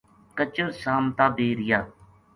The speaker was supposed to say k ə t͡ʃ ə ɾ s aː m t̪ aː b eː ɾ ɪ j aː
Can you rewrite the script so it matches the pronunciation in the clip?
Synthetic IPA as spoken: k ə t͡ʃ ə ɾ s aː m t̪ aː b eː ɾ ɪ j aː